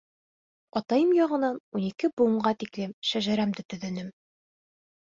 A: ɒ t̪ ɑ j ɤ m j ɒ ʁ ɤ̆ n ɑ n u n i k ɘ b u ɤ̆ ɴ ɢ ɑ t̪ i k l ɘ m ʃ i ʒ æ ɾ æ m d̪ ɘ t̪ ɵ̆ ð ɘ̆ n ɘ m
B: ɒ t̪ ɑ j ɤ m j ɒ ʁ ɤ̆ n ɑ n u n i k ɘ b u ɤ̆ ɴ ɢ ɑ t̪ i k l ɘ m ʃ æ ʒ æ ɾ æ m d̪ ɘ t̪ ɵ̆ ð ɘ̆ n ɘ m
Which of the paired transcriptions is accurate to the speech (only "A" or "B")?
B